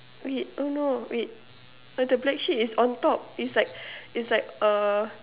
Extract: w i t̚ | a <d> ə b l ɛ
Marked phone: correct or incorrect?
correct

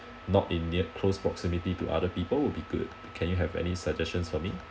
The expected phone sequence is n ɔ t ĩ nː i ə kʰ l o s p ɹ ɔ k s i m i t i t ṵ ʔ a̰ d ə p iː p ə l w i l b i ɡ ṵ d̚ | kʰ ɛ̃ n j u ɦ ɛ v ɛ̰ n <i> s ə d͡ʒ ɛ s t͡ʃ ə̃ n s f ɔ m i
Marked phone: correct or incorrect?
correct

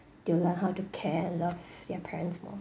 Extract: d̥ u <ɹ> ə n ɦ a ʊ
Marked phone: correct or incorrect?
incorrect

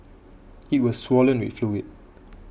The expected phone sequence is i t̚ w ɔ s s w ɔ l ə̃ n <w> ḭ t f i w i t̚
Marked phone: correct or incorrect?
correct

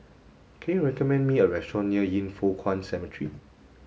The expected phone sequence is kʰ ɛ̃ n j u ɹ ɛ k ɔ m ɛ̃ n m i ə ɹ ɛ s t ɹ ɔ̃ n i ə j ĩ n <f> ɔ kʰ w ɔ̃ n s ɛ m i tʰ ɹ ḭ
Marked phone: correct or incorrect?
correct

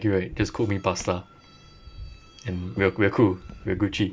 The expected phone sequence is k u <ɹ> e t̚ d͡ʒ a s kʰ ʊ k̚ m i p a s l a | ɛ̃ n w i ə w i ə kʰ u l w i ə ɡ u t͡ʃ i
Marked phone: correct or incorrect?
correct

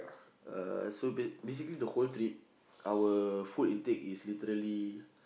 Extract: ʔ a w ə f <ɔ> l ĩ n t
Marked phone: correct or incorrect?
incorrect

